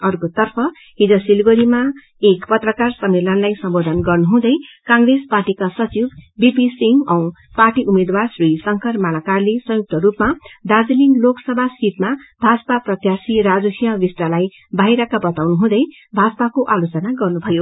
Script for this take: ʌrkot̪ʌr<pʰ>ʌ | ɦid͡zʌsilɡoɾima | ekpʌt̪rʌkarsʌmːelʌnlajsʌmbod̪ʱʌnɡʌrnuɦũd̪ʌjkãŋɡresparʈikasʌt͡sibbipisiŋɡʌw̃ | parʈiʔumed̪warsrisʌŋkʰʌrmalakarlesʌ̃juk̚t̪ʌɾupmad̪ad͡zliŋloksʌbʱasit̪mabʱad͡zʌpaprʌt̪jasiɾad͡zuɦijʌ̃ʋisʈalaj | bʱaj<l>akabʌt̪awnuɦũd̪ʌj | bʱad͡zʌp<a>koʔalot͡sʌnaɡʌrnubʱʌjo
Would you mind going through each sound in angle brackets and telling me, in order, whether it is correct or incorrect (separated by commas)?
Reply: correct, incorrect, correct